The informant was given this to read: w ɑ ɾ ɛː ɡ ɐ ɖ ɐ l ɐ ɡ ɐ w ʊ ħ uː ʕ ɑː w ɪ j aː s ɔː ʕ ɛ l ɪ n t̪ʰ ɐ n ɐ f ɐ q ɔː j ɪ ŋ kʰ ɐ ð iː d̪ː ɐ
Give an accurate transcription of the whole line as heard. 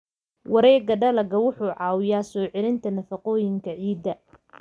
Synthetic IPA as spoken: w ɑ ɾ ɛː ɡ ɐ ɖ ɐ l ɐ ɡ ɐ w ʊ ħ uː ʕ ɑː w ɪ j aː s ɔː ʕ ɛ l ɪ n t̪ʰ ɐ n ɐ f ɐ q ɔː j ɪ ŋ kʰ ɐ ʕ iː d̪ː ɐ